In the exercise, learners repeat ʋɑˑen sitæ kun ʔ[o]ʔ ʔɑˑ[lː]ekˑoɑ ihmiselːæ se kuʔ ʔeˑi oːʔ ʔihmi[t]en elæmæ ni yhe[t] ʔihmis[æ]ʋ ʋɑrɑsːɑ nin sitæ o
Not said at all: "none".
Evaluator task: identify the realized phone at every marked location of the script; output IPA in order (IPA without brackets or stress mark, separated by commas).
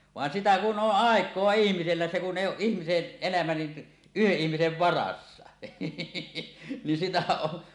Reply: o, none, s, ʔ, e